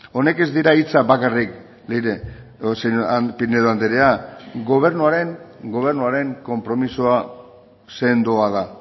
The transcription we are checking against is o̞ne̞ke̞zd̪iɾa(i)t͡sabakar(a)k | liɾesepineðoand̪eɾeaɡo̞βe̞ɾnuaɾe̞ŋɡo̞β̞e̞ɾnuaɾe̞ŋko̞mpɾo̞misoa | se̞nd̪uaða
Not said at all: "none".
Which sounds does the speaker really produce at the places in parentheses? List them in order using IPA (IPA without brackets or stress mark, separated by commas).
i, i